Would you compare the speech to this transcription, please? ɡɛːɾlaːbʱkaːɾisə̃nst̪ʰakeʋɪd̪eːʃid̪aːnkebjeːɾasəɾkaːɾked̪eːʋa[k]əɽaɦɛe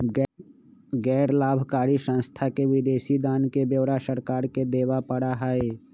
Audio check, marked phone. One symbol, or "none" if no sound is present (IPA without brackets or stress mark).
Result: p